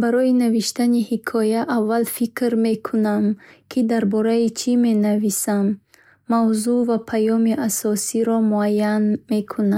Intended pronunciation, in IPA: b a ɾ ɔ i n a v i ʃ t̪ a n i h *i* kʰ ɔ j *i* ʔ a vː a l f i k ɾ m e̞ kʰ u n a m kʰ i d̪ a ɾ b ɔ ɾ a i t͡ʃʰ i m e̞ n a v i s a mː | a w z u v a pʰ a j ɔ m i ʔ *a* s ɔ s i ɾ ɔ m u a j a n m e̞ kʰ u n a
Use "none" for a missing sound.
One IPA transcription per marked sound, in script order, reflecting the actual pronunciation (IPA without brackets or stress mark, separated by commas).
i, a, a